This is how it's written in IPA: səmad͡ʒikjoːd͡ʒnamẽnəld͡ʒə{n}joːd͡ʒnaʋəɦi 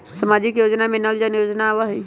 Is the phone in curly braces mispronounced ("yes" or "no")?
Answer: no